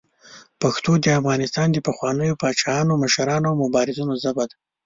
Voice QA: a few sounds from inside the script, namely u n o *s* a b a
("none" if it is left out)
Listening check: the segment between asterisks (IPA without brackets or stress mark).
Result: z